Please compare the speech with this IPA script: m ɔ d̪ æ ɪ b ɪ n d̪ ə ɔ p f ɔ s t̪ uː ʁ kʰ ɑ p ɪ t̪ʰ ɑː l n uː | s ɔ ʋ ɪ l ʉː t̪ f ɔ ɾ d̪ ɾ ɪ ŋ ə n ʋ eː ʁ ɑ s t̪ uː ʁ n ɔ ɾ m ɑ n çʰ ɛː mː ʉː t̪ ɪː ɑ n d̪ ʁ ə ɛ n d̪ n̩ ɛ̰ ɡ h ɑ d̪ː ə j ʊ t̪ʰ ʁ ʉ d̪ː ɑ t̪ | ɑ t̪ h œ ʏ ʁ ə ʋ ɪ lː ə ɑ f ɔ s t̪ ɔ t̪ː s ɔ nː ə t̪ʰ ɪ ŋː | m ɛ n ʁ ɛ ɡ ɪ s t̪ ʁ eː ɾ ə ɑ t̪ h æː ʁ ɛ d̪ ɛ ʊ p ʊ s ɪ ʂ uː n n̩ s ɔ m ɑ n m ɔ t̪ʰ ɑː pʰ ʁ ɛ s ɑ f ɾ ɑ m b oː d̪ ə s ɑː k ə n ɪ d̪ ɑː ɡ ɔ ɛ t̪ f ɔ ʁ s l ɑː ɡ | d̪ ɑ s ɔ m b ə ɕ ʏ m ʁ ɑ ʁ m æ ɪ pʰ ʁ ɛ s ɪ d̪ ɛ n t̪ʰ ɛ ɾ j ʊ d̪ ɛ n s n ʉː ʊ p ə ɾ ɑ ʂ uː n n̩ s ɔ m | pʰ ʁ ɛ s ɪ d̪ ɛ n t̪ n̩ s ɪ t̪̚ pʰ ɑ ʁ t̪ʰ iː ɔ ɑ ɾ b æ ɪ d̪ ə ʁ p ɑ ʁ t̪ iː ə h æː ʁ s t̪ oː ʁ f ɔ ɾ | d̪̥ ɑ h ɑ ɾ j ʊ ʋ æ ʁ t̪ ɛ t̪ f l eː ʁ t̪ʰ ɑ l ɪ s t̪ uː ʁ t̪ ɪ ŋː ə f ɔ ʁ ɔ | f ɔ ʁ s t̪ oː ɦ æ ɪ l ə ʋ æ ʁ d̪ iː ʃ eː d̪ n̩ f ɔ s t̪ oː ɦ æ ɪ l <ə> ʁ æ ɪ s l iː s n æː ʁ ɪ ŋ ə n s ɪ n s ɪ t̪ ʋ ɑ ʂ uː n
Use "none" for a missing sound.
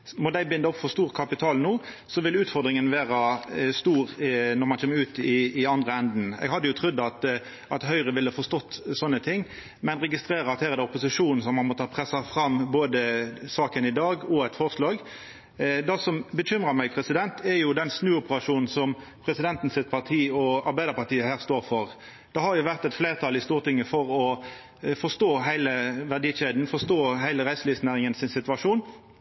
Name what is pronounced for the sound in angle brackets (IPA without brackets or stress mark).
ə